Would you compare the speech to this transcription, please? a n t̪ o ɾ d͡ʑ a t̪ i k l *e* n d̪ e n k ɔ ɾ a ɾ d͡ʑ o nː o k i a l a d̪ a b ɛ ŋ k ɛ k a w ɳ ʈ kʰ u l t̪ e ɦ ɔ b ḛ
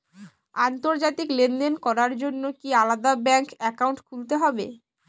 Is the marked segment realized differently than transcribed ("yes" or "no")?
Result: no